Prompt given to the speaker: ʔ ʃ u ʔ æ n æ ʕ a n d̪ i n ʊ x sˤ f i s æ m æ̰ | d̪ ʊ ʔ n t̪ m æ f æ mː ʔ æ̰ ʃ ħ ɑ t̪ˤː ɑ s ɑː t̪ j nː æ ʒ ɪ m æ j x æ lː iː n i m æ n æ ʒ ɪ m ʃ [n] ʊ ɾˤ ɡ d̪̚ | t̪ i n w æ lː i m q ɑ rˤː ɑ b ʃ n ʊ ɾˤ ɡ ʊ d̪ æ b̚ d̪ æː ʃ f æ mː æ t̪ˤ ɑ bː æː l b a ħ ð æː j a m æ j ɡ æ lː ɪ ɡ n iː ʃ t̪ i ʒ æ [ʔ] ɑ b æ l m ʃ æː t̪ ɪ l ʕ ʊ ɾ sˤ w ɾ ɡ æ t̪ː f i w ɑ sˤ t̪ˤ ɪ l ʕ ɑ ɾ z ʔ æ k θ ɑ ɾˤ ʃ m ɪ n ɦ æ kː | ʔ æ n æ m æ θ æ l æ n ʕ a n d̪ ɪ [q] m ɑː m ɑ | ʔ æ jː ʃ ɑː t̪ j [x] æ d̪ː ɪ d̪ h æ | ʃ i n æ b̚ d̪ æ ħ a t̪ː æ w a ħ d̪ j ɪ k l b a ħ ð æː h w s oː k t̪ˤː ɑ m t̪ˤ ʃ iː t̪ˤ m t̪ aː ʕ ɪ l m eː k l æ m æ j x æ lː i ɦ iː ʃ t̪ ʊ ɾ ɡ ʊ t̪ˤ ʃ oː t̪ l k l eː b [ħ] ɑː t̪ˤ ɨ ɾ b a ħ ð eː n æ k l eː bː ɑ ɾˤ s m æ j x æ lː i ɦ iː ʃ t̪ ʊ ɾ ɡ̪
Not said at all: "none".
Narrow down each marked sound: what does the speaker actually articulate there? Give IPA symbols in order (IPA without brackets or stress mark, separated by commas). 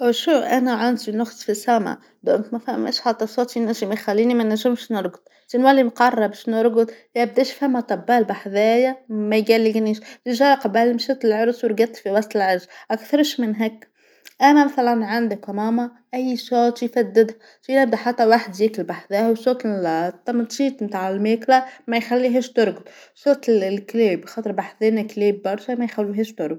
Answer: n, q, k, f, x